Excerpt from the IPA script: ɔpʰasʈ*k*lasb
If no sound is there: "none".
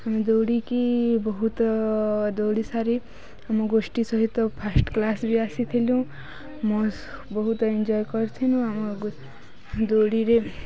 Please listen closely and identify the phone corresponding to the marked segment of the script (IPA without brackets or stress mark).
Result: k